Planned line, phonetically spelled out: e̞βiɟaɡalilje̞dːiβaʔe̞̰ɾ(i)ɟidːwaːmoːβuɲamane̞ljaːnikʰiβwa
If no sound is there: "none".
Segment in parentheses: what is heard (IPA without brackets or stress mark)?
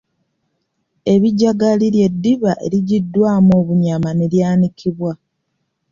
i